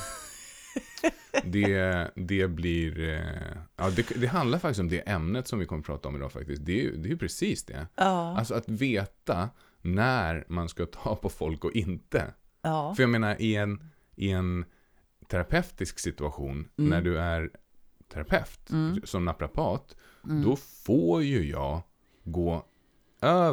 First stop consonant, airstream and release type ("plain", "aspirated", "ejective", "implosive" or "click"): plain